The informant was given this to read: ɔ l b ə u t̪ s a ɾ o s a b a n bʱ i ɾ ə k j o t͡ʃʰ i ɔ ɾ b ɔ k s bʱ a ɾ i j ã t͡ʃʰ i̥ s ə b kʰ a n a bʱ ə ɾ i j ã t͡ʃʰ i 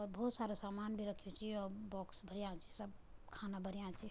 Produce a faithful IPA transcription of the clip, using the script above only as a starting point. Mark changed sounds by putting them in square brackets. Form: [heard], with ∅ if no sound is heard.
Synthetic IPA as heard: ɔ [ɾ] b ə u t̪ s a ɾ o s a [m] a n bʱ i ɾ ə [kʰ] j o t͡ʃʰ i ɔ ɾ b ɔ k s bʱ [ə] ɾ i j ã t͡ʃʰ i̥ s ə b kʰ a n a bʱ ə ɾ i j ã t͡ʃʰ i